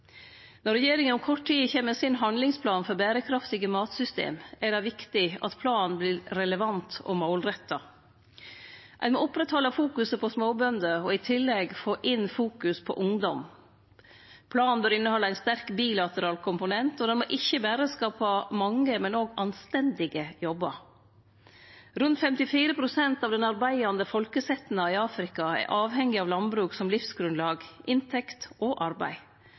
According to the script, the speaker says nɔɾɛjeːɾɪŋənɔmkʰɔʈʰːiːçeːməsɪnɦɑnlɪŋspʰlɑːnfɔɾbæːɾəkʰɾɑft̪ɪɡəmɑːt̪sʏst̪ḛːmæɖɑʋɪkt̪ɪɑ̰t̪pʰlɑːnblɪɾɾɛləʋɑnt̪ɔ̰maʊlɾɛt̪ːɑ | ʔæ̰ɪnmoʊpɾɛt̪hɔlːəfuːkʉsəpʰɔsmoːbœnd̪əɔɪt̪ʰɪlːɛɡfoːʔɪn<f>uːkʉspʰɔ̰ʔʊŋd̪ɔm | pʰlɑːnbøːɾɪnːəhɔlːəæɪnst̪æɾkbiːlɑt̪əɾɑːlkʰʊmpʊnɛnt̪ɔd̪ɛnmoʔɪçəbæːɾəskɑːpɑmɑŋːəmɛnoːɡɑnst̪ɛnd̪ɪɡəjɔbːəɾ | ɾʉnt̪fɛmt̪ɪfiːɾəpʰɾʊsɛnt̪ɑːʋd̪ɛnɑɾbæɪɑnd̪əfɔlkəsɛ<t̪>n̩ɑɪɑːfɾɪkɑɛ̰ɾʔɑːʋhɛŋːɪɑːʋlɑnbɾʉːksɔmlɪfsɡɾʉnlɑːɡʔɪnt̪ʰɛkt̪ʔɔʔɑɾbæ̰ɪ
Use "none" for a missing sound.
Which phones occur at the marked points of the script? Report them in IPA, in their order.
f, t̪

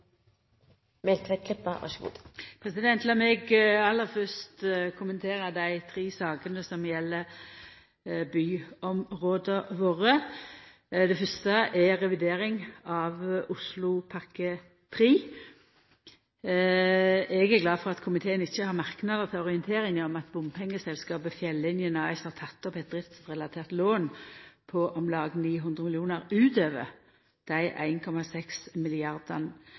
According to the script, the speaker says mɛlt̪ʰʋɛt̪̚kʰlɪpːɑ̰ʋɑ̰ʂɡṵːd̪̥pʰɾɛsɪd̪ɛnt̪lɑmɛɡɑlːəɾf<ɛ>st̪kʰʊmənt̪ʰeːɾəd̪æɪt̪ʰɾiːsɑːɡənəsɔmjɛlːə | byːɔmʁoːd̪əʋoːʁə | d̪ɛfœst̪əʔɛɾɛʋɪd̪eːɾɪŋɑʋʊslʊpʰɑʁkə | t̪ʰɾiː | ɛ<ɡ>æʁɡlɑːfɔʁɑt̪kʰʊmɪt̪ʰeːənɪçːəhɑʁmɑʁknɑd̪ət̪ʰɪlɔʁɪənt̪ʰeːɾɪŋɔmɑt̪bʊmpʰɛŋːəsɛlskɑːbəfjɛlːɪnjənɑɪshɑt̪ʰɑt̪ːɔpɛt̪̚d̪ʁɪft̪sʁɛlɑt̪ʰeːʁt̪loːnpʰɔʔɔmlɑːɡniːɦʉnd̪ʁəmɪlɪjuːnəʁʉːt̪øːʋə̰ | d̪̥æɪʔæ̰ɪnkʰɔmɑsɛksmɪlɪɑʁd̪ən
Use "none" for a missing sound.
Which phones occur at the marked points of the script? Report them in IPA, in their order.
œ, ɡ

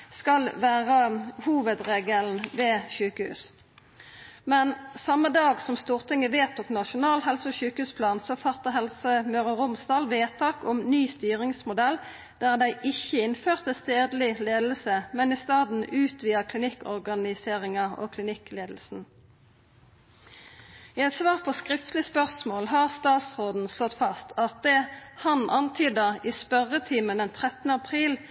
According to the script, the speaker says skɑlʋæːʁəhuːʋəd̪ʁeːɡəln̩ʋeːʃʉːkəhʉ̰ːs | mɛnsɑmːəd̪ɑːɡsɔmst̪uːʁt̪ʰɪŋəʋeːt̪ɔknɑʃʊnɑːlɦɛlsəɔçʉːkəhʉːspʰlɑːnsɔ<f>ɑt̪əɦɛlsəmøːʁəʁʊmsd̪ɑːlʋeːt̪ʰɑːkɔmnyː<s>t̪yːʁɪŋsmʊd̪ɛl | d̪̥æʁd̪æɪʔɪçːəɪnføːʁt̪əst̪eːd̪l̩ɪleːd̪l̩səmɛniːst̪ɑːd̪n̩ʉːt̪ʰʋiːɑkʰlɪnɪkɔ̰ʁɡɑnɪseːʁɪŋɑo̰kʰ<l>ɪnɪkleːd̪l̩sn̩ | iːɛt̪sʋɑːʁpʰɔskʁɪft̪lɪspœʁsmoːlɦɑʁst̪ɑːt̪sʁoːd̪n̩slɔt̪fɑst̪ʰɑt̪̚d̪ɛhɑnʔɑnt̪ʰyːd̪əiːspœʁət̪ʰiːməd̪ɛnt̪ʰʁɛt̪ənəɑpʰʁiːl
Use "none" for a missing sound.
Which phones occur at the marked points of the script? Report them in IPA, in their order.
f, s, l

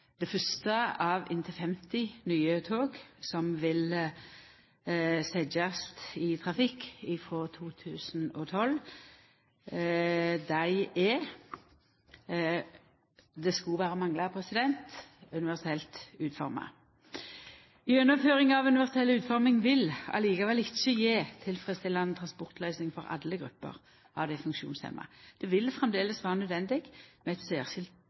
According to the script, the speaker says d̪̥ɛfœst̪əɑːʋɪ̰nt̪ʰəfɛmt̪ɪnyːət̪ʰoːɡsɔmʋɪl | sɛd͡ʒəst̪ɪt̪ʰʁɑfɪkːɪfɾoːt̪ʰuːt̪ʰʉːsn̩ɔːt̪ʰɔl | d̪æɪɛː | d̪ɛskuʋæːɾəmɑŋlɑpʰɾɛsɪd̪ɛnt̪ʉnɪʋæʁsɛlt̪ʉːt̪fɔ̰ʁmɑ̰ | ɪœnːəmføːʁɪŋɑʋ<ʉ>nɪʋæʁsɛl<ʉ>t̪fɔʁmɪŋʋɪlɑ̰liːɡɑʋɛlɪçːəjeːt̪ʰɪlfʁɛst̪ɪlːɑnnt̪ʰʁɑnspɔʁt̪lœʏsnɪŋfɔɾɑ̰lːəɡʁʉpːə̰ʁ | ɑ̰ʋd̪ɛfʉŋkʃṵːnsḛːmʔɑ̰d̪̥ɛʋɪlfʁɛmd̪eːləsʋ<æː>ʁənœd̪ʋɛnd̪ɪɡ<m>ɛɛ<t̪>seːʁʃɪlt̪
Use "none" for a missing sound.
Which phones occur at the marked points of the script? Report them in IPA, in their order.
ʉ, ʉː, æː, m, t̪

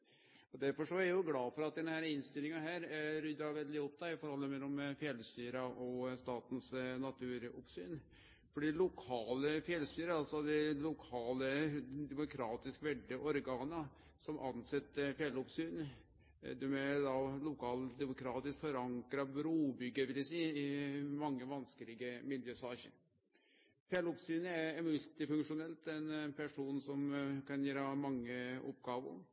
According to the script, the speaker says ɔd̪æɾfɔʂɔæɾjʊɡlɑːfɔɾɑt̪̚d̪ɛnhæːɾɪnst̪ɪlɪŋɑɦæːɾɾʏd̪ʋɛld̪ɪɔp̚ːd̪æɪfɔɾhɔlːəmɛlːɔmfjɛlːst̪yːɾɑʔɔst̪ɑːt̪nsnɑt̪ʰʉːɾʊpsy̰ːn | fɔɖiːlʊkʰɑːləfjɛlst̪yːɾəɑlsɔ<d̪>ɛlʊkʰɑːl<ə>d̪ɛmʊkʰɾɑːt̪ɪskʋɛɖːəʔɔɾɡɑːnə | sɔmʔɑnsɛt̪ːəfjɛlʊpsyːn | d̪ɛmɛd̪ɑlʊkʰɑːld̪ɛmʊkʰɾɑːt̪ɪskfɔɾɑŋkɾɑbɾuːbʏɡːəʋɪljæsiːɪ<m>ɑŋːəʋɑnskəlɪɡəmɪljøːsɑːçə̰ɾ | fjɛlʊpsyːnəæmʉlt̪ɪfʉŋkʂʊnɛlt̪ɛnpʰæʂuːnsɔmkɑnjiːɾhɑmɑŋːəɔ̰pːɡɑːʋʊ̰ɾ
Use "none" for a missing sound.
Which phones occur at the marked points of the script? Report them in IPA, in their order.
d̪, ə, m

